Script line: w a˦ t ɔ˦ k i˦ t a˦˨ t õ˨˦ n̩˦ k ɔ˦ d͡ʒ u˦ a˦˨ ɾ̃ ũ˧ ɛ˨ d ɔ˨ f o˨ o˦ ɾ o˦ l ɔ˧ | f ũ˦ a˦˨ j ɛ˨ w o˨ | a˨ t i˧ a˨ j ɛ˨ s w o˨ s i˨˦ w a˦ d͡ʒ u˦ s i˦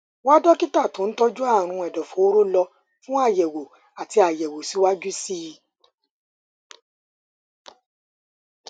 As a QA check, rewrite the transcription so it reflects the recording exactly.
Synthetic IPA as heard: w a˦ d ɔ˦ k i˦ t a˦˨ t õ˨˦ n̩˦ t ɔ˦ d͡ʒ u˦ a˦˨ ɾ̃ ũ˧ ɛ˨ d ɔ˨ f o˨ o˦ ɾ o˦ l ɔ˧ | f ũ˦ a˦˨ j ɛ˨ w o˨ | a˨ t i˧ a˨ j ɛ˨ w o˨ s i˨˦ w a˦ d͡ʒ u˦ s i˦